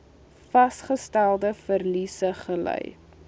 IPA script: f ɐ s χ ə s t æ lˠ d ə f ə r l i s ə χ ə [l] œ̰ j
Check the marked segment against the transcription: correct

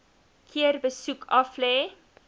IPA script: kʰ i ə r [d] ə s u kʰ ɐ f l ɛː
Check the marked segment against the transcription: incorrect: b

